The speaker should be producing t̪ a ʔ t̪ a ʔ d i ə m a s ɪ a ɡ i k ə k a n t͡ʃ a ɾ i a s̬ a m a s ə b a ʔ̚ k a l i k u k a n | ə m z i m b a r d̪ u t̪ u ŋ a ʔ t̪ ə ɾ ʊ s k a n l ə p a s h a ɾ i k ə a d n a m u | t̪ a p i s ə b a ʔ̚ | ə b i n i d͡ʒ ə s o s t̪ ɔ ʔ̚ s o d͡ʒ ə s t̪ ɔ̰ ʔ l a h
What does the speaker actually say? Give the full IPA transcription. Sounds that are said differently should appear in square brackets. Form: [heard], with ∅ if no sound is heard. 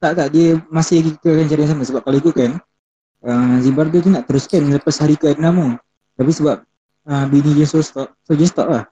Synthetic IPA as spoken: t̪ a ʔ t̪ a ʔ d i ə m a s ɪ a ɡ i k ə k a n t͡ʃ a ɾ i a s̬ a m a s ə b a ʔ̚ k a l i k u k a n | ə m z i m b a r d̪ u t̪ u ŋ a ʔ t̪ ə ɾ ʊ s k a n l ə p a s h a ɾ i k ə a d n a m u | t̪ a p i s ə b a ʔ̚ | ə b i n i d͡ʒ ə s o s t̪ ɔ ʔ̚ s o d͡ʒ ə s t̪ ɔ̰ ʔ l a h